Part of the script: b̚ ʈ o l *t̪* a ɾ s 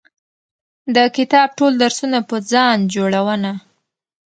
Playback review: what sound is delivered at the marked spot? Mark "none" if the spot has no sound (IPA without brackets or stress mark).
d̪